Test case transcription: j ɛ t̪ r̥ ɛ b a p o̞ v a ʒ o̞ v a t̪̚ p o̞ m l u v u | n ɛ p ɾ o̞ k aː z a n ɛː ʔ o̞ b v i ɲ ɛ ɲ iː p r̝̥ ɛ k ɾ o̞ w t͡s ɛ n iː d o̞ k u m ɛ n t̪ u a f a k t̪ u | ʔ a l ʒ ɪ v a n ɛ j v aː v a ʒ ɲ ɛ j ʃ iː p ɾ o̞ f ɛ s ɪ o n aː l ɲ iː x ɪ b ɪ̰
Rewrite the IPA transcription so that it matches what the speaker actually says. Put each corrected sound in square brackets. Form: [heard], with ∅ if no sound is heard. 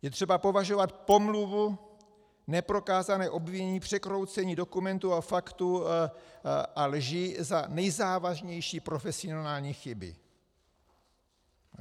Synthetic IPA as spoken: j ɛ t̪ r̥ ɛ b a p o̞ v a ʒ o̞ v a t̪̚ p o̞ m l u v u | n ɛ p ɾ o̞ k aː z a n ɛː ʔ o̞ b v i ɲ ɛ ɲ iː p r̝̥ ɛ k ɾ o̞ w t͡s ɛ [ɲ] iː d o̞ k u m ɛ n t̪ u a f a k t̪ u | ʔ a l ʒ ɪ [z] a n ɛ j [z] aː v a ʒ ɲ ɛ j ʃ iː p ɾ o̞ f ɛ s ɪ o n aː l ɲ iː x ɪ b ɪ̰